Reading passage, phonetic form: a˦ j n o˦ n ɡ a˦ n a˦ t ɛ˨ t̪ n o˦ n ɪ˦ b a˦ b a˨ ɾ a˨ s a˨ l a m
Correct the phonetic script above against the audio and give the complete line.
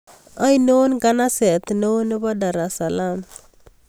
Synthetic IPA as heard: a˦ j n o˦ n ɡ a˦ n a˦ s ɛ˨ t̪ n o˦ n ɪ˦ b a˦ d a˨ ɾ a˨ s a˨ l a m